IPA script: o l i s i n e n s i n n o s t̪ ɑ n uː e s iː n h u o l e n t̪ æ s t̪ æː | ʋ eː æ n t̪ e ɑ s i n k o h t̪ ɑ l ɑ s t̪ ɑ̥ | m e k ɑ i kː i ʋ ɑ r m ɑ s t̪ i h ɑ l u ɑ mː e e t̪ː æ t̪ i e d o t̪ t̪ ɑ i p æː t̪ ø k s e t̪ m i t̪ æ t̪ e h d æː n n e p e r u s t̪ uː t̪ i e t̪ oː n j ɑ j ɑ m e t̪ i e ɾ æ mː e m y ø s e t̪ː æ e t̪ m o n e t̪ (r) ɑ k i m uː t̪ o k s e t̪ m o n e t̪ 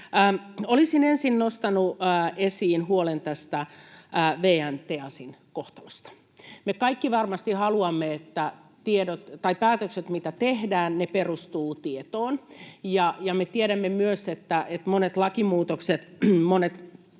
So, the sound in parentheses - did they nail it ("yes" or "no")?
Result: no